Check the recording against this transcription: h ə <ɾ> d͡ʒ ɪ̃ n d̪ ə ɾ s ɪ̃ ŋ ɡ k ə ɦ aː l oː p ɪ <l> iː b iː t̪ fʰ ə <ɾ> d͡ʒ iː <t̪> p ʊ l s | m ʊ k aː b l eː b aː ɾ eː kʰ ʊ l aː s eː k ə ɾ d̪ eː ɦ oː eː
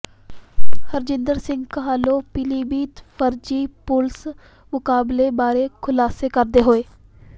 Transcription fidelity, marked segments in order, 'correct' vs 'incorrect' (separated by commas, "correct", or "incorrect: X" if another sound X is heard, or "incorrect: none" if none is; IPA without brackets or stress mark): correct, correct, correct, incorrect: none